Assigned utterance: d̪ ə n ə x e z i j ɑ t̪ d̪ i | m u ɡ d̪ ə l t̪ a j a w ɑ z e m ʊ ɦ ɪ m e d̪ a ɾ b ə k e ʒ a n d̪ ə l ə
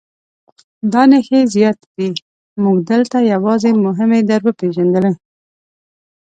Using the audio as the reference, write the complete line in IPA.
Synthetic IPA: d̪ ɑ n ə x e z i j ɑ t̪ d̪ i | m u ɡ d̪ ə l t̪ a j a w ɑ z e m ʊ ɦ ɪ m e d̪ a ɾ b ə p e ʒ a n d̪ ə l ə